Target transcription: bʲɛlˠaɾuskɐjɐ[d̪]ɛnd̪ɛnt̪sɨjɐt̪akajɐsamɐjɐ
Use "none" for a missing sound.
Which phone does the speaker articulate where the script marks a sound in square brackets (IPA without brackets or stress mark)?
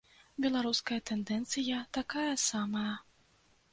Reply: t̪